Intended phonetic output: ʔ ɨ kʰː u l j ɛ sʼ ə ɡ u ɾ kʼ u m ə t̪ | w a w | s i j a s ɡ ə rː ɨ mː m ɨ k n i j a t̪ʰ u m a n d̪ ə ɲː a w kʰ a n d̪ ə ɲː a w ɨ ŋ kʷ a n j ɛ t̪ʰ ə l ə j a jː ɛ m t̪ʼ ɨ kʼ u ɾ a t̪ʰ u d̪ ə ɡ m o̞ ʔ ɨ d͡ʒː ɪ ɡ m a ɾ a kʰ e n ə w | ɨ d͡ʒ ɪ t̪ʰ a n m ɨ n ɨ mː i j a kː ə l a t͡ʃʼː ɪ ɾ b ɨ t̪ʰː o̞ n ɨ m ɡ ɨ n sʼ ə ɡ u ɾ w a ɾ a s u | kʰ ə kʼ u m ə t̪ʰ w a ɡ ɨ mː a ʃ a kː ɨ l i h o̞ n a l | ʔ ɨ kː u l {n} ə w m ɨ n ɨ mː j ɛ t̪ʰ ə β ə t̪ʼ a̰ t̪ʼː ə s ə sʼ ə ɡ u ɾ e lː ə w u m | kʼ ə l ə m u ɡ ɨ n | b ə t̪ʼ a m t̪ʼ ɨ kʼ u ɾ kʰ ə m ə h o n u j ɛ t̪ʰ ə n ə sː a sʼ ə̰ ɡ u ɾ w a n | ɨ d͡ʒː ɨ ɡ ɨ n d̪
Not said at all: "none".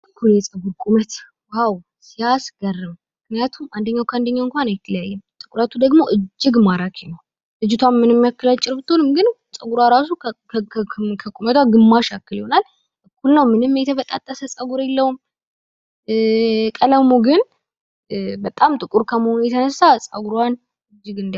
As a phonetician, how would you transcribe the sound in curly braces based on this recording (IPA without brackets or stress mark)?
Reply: n